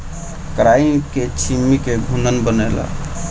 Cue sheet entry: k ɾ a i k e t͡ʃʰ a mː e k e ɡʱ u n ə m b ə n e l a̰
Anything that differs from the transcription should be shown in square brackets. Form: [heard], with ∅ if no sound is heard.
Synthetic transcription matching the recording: k ɾ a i k e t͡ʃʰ [i] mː [i] k e ɡʱ u n ə [n] b ə n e l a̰

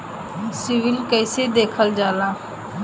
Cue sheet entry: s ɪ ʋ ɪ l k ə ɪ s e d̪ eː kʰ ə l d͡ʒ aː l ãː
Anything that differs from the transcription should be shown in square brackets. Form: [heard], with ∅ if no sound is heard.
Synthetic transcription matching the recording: s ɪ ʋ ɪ l k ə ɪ s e d̪ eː kʰ ə l d͡ʒ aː l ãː

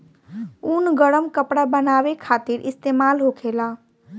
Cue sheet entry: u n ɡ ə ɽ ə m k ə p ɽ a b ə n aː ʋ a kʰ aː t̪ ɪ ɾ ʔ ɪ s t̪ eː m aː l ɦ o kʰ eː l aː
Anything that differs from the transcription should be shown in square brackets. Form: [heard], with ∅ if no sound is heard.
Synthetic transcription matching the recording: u n ɡ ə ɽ ə m k ə p ɽ a b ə n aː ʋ [e] kʰ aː t̪ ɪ ɾ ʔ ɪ s t̪ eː m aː l ɦ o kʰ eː l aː

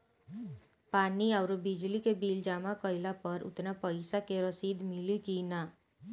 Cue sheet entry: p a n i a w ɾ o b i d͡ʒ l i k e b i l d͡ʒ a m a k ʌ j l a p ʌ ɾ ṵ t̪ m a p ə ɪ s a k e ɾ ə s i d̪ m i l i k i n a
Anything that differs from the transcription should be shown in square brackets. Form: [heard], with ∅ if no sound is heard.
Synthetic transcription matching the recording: p a n i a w ɾ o b i d͡ʒ l i k e b i l d͡ʒ a m a k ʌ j l a p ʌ ɾ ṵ t̪ [n] a p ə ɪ s a k e ɾ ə s i d̪ m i l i k i n a

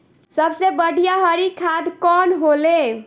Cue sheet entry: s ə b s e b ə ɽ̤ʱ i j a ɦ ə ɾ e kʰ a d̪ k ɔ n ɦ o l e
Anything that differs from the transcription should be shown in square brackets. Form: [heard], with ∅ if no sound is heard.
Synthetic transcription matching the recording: s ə b s e b ə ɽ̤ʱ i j a ɦ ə ɾ [i] kʰ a d̪ k ɔ n ɦ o l e

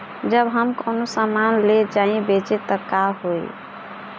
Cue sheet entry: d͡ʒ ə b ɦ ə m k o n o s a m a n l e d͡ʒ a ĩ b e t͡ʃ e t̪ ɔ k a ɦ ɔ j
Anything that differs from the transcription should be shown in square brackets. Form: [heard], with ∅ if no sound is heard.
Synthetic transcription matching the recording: d͡ʒ ə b ɦ ə m k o n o s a m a n l e d͡ʒ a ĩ b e t͡ʃ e t̪ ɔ k a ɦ [o] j

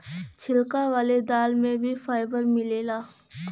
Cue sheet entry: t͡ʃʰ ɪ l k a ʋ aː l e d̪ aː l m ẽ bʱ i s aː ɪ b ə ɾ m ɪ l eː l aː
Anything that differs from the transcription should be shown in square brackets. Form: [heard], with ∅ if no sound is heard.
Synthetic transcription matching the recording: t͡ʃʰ ɪ l k a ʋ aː l e d̪ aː l m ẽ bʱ i [f] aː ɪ b ə ɾ m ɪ l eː l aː

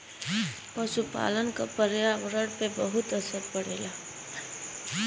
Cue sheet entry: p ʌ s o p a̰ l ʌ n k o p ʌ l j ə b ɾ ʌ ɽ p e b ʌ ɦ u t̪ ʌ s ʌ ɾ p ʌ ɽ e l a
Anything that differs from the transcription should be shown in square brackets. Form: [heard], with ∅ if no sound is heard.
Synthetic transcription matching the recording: p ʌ s [u] p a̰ l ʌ n k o p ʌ [ɾ] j [a] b ɾ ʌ ɽ p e b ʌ ɦ u t̪ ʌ s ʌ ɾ p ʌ ɽ e l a

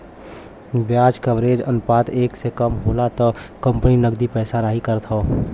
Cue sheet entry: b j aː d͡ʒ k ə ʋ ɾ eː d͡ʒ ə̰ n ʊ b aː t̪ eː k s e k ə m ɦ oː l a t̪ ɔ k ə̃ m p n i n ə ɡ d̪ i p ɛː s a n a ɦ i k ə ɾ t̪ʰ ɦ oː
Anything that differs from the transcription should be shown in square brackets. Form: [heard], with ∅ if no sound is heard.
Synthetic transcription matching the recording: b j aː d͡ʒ k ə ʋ ɾ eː d͡ʒ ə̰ n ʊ [p] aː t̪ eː k s e k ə m ɦ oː l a t̪ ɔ k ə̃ m p n i n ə ɡ d̪ i p ɛː s a n a ɦ i k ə ɾ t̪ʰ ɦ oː

